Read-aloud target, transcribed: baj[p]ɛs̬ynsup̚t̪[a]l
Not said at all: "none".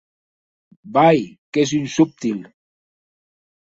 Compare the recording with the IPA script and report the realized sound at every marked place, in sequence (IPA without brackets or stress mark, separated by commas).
k, i